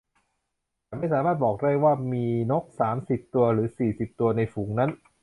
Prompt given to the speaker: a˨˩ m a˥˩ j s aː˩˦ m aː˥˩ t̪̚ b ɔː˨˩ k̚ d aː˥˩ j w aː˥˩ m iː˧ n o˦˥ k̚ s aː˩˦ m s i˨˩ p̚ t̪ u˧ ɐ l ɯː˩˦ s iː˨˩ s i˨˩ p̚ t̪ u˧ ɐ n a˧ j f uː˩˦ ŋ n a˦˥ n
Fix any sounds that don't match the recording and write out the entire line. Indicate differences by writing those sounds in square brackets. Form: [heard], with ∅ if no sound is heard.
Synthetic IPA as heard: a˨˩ m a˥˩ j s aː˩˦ m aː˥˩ t̪̚ b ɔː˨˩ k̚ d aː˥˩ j w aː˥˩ m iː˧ n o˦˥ k̚ s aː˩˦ m s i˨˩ p̚ t̪ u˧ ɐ [ɾ] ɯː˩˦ s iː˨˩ s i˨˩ p̚ t̪ u˧ ɐ n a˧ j f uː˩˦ ŋ n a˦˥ n